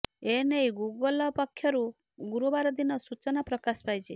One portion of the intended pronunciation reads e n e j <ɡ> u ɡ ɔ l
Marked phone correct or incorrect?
correct